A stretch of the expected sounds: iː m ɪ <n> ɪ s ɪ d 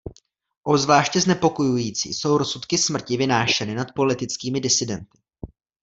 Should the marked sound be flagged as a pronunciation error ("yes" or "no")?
yes